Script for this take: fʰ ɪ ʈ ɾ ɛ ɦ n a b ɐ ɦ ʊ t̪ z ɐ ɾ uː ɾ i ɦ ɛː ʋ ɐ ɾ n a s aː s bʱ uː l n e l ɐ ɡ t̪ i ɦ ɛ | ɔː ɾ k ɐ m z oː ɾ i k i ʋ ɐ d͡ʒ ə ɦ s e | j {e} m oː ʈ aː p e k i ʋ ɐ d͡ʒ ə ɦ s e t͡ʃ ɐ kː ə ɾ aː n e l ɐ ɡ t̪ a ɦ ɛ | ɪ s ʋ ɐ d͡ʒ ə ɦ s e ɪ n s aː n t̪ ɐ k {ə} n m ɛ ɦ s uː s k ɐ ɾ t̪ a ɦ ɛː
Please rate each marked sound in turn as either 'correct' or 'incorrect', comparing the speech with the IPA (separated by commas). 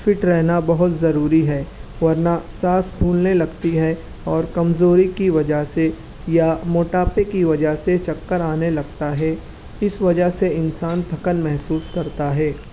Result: incorrect, correct